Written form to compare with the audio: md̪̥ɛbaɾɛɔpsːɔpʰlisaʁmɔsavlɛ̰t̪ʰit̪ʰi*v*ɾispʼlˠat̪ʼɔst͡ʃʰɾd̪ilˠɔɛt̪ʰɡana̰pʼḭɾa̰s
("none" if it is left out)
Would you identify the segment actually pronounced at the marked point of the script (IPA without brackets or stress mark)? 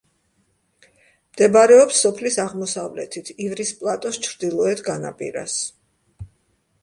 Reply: v